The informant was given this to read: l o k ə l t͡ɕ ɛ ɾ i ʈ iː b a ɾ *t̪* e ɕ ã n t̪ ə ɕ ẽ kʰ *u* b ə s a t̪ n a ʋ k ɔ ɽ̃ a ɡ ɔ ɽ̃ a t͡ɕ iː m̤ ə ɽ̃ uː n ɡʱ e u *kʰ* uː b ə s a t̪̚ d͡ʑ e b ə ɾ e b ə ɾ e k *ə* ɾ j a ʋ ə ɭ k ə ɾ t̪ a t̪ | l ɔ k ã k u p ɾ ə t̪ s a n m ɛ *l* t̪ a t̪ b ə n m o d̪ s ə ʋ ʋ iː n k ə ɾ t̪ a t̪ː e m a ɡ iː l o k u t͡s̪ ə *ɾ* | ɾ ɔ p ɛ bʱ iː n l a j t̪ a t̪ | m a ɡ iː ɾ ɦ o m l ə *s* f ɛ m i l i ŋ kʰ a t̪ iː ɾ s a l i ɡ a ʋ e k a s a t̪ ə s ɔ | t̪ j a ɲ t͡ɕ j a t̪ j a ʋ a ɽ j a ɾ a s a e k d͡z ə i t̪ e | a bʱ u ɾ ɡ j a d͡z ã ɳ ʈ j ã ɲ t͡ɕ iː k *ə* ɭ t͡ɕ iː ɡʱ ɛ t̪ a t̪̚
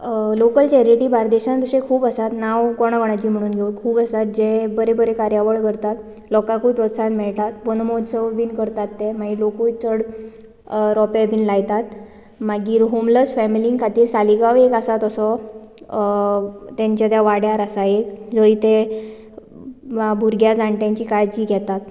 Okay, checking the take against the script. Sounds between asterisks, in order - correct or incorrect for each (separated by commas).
incorrect, incorrect, correct, incorrect, incorrect, incorrect, correct, incorrect